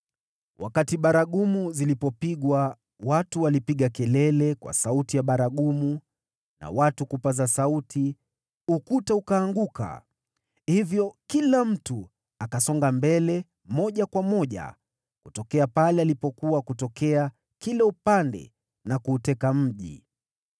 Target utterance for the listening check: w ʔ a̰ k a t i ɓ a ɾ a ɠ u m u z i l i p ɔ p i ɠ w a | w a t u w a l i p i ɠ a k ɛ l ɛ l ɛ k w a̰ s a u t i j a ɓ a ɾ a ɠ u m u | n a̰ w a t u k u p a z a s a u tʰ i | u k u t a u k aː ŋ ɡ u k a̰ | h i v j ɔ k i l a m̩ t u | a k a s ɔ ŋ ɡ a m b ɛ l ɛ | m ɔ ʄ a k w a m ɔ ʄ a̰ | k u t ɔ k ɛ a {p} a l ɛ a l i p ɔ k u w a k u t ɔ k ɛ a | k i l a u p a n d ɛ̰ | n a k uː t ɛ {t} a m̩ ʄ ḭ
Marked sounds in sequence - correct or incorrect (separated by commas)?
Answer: correct, incorrect